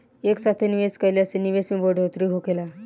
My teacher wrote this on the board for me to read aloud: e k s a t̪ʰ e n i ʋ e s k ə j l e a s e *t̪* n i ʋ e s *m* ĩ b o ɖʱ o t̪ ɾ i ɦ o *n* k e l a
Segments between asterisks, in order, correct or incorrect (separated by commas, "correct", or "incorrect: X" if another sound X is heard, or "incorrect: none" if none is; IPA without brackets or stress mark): incorrect: none, correct, incorrect: none